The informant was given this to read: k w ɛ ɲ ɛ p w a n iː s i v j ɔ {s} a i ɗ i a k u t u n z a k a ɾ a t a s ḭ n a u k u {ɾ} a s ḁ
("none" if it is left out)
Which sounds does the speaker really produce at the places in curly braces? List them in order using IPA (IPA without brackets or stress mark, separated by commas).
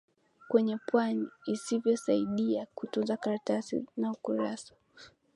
s, ɾ